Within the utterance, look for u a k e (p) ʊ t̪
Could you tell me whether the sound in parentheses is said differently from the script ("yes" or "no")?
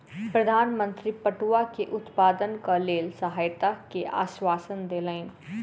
yes